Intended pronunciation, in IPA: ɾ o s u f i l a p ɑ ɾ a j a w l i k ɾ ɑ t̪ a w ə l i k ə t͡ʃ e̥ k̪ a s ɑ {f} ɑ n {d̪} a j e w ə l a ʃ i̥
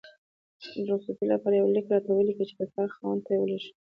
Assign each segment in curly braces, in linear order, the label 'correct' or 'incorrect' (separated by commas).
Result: incorrect, incorrect